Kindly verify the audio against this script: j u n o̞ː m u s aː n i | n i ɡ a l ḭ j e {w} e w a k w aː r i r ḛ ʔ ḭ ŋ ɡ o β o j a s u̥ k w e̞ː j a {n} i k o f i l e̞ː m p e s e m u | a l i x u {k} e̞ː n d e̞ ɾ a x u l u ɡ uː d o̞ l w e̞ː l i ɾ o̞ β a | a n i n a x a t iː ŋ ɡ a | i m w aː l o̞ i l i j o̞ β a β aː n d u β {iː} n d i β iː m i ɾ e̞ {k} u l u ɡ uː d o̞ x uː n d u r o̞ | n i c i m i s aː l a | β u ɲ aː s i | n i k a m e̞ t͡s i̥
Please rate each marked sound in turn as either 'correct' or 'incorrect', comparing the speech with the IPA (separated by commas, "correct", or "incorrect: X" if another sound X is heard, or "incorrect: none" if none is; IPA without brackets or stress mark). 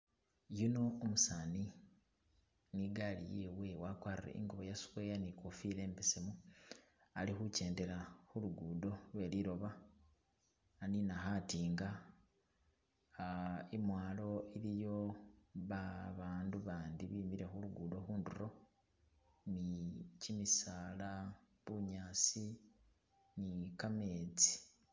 correct, correct, incorrect: c, incorrect: aː, incorrect: x